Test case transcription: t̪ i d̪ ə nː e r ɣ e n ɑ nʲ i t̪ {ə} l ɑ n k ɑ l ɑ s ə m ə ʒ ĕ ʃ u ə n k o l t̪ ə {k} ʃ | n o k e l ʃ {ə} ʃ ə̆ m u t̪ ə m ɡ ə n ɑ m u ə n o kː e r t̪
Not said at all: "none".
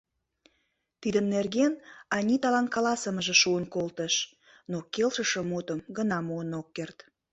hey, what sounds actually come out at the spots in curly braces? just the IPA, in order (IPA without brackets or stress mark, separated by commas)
ɑ, none, ə